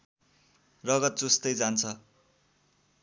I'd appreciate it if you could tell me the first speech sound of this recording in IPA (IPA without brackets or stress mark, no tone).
r